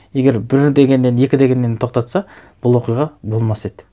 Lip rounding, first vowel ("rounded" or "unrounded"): unrounded